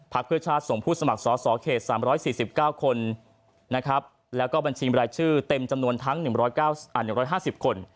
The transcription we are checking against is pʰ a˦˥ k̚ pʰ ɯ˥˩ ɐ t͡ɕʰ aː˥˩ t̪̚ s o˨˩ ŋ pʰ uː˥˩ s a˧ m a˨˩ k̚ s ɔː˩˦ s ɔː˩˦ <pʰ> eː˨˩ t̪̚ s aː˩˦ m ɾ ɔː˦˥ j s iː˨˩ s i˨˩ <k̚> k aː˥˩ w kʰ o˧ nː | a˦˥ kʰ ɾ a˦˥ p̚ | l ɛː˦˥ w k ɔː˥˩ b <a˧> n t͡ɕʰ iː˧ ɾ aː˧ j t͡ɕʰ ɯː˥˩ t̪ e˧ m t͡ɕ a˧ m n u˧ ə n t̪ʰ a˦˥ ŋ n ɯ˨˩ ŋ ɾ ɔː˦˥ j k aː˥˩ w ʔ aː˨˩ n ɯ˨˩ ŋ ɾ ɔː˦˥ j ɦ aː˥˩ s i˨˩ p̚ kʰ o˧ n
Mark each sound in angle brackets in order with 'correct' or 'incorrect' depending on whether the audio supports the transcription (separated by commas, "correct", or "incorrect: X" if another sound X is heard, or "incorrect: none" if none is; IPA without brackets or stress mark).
incorrect: kʰ, incorrect: p̚, correct